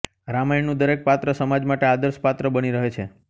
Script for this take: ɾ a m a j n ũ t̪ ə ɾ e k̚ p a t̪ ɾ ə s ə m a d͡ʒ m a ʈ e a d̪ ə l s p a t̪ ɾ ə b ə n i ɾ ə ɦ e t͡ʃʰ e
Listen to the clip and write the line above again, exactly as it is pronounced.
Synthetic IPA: ɾ a m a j n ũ d̪ ə ɾ e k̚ p a t̪ ɾ ə s ə m a d͡ʒ m a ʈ e a d̪ ə ɾ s p a t̪ ɾ ə b ə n i ɾ ə ɦ e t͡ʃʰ e

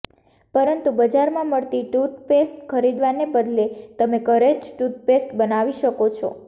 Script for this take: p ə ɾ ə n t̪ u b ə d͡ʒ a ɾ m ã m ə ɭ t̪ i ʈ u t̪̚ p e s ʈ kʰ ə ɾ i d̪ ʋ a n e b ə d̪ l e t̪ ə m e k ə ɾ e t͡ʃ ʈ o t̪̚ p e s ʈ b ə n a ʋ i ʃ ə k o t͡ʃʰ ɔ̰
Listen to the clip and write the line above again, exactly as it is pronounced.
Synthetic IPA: p ə ɾ ə n t̪ u b ə d͡ʒ a ɾ m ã m ə ɭ t̪ i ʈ u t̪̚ p e s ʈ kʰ ə ɾ i d̪ ʋ a n e b ə d̪ l e t̪ ə m e k ə ɾ e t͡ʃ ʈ u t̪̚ p e s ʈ b ə n a ʋ i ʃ ə k o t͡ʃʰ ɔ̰

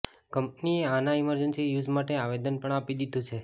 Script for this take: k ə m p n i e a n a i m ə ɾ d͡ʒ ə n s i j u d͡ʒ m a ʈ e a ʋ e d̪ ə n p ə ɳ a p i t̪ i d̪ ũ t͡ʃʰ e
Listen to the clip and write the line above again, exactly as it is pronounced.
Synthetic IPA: k ə m p n i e a n a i m ə ɾ d͡ʒ ə n s i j u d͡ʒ m a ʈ e a ʋ e d̪ ə n p ə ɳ a p i d̪ i d̪ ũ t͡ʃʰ e

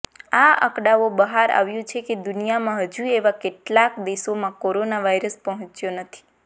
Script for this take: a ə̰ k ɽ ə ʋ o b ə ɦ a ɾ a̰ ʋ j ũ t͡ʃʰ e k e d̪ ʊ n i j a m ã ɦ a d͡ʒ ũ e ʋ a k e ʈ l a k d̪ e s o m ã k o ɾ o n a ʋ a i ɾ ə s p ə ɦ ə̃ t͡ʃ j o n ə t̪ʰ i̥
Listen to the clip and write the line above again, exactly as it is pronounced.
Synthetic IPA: a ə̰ k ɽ a ʋ o b ə ɦ a ɾ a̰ ʋ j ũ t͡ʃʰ e k e d̪ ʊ n i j a m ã ɦ ə d͡ʒ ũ e ʋ a k e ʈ l a k d̪ e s o m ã k o ɾ o n a ʋ a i ɾ ə s p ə ɦ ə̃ t͡ʃ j o n ə t̪ʰ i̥

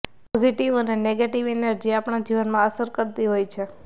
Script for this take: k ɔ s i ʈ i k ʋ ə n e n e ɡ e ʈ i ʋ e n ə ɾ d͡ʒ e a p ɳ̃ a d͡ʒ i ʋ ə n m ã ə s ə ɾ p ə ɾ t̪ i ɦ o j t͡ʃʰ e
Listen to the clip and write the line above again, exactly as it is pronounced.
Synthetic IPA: p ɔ z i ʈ i ʋ ə n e n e ɡ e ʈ i ʋ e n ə ɾ d͡ʒ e a p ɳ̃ a d͡ʒ i ʋ ə n m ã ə s ə ɾ k ə ɾ t̪ i ɦ o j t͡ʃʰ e

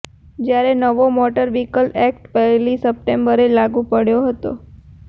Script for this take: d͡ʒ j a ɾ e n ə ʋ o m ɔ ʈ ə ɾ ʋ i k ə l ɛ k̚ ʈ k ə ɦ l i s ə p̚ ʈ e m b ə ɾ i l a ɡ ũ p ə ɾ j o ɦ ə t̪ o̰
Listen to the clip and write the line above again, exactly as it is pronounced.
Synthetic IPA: d͡ʒ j a ɾ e n ə ʋ o m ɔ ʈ ə ɾ ʋ i k ə l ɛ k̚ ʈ p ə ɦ l i s ə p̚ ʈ e m b ə ɾ e l a ɡ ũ p ə ɽ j o ɦ ə t̪ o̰

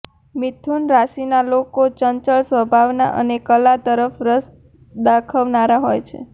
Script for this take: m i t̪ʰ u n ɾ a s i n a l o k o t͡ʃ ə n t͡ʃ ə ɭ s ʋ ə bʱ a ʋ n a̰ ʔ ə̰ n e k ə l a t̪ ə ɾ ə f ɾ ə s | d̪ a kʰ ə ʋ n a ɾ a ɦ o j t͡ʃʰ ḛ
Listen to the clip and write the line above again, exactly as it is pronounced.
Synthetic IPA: m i t̪ʰ u n ɾ a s i n a l o k o t͡ʃ ə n t͡ʃ ə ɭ s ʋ ə bʱ a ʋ n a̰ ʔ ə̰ n e k ə l a t̪ ə ɾ ə f ɾ ə s | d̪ a kʰ ə ʋ n a ɾ a ɦ o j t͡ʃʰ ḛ

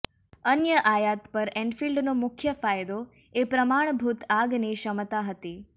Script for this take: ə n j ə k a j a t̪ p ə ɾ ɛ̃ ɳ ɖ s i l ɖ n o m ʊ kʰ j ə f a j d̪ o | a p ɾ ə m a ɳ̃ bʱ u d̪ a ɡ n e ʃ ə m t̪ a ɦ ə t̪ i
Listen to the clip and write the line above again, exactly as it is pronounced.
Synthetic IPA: ə n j ə ʔ a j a t̪ p ə ɾ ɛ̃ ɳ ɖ f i l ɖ n o m ʊ kʰ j ə f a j d̪ o | e p ɾ ə m a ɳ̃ bʱ u t̪ a ɡ n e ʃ ə m t̪ a ɦ ə t̪ i

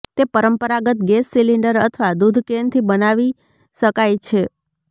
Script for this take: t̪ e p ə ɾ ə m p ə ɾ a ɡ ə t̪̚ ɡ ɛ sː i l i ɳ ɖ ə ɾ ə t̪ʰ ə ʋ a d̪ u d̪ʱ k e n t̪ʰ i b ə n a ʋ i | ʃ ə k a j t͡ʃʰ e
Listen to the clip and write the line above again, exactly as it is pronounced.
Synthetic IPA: t̪ e p ə ɾ ə m p ə ɾ a ɡ ə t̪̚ ɡ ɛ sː i l i ɳ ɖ ə ɾ ə t̪ʰ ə ʋ a d̪ u d̪ʱ k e n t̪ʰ i b ə n a ʋ i | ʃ ə k a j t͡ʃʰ e

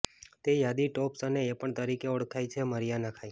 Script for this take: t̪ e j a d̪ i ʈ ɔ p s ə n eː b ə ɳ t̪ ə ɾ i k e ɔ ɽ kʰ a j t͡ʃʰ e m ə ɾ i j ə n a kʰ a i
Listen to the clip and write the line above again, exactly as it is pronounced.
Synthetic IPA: t̪ e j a d̪ i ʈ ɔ p s ə n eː p ə ɳ t̪ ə ɾ i k e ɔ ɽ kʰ a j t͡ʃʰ e m ə ɾ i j a n a kʰ a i

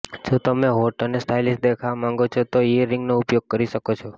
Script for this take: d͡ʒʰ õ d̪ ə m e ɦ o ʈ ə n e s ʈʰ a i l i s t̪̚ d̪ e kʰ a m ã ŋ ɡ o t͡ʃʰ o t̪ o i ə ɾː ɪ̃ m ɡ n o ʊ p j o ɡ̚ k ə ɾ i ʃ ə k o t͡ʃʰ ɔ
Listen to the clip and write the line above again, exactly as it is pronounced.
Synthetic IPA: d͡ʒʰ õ t̪ ə m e ɦ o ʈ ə n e s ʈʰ a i l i s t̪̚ d̪ e kʰ a m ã ŋ ɡ o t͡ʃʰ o t̪ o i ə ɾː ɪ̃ ŋ ɡ n o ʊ p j o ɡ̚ k ə ɾ i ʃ ə k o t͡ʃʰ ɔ

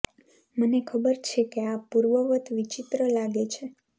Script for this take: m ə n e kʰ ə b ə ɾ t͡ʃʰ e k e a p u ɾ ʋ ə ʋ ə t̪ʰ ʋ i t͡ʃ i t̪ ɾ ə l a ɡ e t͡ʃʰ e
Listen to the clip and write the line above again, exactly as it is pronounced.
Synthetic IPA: m ə n e kʰ ə b ə ɾ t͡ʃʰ e k e a p u ɾ ʋ ə ʋ ə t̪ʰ ʋ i t͡ʃ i t̪ ɾ ə l a ɡ e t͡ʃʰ e

